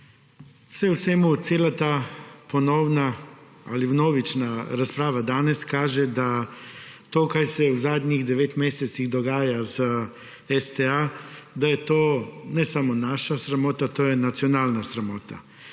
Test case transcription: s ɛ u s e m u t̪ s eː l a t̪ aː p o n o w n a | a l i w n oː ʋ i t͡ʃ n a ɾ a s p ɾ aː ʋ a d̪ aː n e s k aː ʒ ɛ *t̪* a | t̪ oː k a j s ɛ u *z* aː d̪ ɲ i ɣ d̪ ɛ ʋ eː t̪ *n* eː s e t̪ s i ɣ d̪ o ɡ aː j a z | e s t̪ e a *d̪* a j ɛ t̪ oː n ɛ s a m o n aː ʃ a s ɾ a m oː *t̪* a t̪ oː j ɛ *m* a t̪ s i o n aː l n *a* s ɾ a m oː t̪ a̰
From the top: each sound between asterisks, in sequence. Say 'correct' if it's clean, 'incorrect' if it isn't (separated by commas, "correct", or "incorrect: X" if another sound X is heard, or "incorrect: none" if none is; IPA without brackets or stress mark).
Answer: incorrect: d̪, correct, incorrect: m, correct, correct, incorrect: n, correct